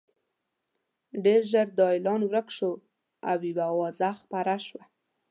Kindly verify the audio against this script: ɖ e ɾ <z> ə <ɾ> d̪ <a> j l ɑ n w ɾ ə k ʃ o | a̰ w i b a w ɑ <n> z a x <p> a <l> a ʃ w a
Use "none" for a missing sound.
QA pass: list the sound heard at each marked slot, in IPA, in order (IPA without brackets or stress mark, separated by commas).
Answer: ʒ, ɾ, ɑ, none, p, ɾ